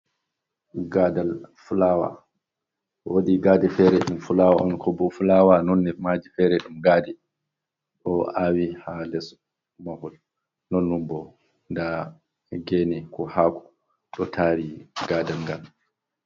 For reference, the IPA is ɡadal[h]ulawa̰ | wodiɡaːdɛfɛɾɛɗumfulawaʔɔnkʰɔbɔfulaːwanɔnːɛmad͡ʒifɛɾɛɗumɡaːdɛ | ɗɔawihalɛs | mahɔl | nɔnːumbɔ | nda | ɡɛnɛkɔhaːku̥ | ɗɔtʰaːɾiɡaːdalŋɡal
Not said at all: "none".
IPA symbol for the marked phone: f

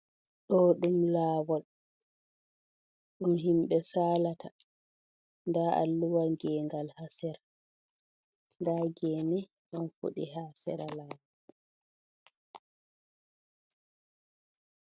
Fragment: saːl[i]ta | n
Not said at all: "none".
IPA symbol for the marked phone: a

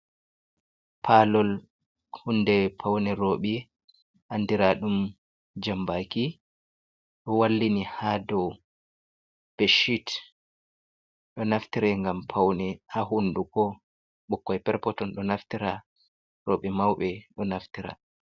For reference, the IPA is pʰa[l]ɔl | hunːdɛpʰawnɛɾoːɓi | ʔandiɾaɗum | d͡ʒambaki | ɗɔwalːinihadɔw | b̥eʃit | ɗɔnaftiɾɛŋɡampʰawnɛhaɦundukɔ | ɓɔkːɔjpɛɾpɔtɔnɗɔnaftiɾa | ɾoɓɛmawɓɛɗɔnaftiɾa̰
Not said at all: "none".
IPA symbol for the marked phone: l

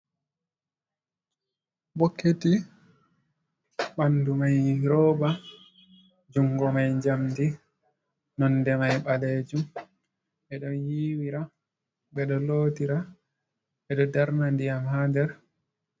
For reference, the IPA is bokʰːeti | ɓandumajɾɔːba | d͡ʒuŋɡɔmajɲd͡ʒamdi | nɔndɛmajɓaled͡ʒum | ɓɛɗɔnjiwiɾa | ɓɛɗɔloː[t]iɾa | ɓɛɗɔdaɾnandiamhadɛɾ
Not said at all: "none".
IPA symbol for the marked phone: t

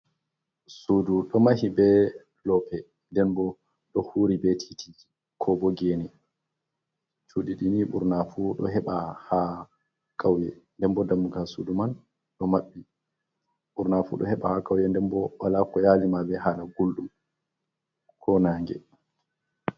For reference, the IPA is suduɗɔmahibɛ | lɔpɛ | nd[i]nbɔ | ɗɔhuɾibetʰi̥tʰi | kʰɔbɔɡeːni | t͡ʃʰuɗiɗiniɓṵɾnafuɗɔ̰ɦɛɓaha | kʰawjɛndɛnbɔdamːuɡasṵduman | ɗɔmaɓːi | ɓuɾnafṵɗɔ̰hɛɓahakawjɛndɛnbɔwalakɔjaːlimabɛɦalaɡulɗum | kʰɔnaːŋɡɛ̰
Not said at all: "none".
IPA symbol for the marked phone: ɛ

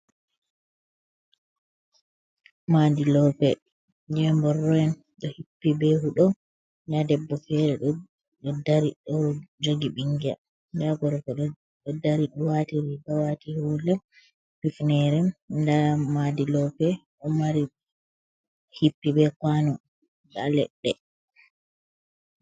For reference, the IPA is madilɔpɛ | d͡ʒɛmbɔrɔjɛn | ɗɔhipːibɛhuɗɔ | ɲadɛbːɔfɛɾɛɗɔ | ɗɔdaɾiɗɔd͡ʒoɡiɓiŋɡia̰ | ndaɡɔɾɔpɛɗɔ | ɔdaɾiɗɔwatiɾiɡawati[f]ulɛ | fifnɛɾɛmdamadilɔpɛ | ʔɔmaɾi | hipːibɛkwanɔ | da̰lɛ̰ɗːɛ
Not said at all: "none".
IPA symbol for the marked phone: h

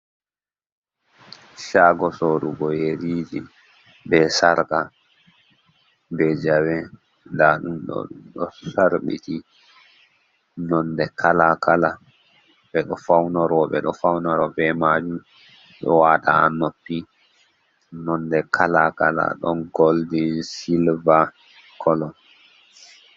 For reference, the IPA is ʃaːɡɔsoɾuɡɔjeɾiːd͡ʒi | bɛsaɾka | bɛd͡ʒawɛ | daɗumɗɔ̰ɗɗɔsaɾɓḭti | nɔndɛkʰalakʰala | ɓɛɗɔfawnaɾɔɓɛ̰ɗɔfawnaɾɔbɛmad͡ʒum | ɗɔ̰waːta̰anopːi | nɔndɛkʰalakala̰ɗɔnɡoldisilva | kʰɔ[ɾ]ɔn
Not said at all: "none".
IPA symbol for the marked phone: l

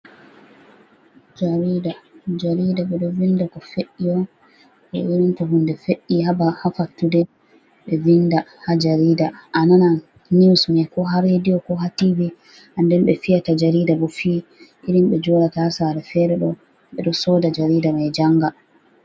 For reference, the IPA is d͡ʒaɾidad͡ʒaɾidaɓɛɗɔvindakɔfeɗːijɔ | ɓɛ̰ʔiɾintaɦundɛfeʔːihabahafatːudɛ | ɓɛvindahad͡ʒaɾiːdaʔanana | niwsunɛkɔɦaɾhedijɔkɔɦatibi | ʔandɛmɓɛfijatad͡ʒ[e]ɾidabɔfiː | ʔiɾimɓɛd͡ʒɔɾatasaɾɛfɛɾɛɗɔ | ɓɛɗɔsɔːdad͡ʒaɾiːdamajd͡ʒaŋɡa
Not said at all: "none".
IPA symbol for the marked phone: a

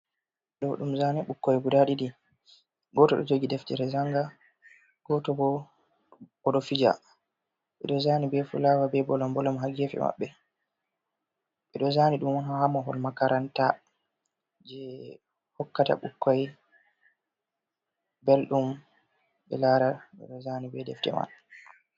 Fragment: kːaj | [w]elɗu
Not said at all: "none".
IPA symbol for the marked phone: b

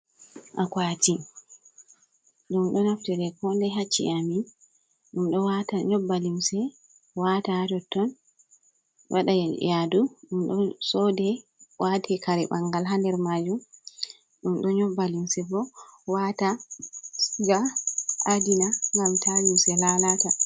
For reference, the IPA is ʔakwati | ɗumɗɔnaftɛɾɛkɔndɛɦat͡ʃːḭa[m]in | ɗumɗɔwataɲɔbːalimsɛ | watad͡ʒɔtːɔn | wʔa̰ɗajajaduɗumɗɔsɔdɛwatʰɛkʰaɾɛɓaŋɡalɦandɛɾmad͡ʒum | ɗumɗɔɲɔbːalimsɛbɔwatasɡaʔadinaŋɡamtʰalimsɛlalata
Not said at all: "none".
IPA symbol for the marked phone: m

